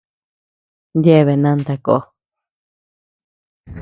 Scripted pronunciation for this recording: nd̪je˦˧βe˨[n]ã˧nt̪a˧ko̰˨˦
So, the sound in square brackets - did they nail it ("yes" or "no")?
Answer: yes